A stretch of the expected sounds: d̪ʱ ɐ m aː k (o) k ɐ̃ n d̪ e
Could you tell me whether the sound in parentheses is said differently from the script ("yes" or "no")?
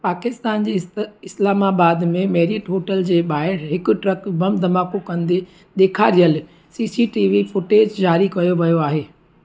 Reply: no